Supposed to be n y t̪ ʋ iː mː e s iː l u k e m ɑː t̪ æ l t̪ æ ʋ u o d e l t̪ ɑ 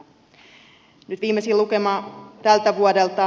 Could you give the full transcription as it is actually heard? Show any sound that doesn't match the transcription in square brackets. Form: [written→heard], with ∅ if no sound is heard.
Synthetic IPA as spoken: n y t̪ ʋ iː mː e s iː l u k e m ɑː t̪ æ l t̪ æ ʋ u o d e l t̪ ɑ